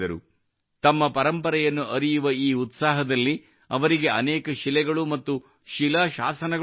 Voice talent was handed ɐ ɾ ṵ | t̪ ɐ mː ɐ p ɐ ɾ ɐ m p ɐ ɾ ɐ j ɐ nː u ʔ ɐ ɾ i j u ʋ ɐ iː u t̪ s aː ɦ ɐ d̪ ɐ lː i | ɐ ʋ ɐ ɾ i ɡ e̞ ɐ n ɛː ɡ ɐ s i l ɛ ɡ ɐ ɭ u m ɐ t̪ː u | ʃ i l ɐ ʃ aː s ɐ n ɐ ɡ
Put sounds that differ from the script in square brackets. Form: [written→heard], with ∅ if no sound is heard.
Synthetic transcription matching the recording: ɐ ɾ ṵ | t̪ ɐ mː ɐ p ɐ ɾ ɐ m p ɐ ɾ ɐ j ɐ nː u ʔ ɐ ɾ i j u ʋ ɐ iː u t̪ s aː ɦ ɐ d̪ ɐ lː i | ɐ ʋ ɐ ɾ i ɡ e̞ ɐ n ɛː [ɡ→k] ɐ [s→ʃ] i l ɛ ɡ ɐ ɭ u m ɐ t̪ː u | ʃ i l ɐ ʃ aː s ɐ n ɐ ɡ